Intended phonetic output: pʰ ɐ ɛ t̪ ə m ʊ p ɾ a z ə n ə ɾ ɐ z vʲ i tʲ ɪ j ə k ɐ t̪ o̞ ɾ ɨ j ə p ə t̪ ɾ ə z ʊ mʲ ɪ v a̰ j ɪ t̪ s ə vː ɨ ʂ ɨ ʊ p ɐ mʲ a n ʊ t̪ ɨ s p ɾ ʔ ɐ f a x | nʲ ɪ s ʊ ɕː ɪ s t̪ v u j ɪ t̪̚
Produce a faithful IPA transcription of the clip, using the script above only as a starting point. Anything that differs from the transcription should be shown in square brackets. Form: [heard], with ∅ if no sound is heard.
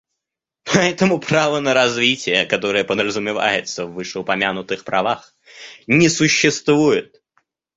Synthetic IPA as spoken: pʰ ɐ ɛ t̪ ə m ʊ p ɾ a [v] ə n ə ɾ ɐ z vʲ i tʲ ɪ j ə k ɐ t̪ o̞ ɾ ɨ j ə p ə [d̪] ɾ ə z ʊ mʲ ɪ v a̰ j ɪ t̪ s ə vː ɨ ʂ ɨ ʊ p ɐ mʲ a n ʊ t̪ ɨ [x] p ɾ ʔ ɐ [v] a x | nʲ ɪ s ʊ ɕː ɪ s t̪ v u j ɪ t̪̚